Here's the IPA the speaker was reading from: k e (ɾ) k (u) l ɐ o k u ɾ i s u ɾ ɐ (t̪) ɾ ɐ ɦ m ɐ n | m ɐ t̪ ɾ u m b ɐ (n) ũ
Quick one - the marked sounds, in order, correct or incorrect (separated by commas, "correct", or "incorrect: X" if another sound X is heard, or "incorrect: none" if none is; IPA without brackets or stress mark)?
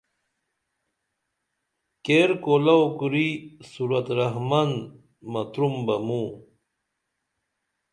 correct, incorrect: o, correct, incorrect: m